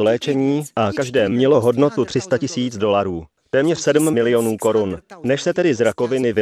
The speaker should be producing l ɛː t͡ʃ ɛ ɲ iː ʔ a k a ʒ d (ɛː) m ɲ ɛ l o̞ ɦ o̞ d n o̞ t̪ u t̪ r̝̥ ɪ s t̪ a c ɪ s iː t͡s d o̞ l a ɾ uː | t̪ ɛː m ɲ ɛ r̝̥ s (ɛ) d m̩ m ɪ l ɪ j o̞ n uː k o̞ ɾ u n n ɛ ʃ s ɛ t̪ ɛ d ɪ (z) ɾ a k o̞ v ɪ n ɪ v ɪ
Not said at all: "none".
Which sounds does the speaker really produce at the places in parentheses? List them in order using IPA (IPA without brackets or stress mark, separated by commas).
ɛː, ɛ, z